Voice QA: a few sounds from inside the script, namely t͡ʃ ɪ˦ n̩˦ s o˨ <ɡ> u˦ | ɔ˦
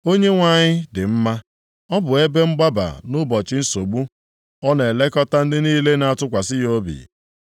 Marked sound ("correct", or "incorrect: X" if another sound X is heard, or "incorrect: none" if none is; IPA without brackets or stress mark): incorrect: ɡ͡b